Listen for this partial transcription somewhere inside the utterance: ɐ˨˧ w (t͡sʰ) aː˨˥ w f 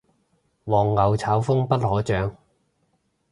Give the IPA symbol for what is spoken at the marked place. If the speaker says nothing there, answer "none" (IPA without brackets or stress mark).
t͡sʰ